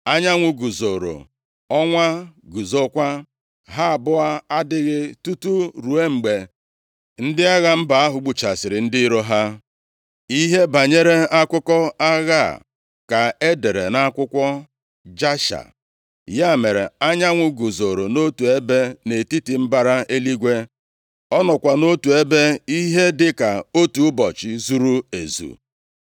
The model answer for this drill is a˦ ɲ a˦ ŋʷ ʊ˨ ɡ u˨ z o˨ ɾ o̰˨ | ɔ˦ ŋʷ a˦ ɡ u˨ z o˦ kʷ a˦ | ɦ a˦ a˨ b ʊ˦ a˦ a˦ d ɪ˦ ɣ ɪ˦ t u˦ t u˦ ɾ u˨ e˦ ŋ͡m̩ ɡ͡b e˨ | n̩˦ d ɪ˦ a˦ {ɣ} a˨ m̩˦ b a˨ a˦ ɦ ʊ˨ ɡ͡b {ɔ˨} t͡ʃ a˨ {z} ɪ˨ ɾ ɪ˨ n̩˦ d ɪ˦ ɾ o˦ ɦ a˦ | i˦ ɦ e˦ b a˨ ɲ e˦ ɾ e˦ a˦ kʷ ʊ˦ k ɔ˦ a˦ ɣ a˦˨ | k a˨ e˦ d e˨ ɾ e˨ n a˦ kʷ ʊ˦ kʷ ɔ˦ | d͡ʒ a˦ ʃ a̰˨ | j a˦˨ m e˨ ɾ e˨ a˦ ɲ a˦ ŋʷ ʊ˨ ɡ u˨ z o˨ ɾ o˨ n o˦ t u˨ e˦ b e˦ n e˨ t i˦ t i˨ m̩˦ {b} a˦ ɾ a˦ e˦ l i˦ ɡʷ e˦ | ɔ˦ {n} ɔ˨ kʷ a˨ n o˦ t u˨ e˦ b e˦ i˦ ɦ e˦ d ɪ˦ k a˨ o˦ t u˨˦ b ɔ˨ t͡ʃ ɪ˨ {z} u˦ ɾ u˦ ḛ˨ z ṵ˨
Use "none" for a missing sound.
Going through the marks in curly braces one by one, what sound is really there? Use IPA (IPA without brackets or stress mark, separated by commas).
ɣ, u˨, s, b, n, z